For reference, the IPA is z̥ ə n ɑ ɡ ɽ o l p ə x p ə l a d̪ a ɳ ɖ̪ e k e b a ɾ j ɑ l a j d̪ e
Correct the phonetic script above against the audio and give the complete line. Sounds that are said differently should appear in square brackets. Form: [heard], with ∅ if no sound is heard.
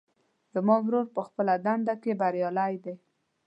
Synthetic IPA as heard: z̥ ə [m] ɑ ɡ [ɾ] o [ɾ] p ə x p ə l a d̪ a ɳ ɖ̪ [a] k e b a ɾ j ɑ l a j d̪ e